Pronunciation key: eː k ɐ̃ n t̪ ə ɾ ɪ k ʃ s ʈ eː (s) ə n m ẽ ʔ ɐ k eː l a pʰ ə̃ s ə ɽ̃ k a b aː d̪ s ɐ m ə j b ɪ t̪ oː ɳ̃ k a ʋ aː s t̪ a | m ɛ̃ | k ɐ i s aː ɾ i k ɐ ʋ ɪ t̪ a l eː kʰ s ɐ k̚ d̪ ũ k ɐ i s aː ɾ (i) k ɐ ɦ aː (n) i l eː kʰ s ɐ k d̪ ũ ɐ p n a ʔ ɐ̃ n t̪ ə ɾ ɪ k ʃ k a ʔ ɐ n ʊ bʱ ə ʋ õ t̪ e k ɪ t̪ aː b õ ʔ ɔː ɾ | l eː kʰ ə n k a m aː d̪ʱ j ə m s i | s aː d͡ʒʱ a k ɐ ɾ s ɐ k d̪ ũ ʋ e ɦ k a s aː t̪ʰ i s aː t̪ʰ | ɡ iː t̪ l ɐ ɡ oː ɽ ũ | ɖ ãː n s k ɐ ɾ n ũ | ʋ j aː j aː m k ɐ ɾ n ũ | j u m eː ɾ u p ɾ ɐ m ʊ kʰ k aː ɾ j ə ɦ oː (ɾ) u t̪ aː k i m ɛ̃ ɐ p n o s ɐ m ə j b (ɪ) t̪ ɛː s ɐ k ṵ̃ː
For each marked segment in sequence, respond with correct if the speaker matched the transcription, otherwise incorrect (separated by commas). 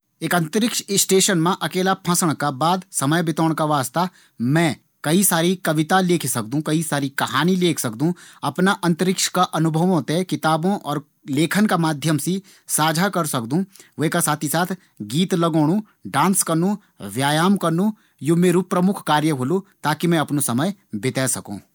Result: incorrect, correct, correct, incorrect, correct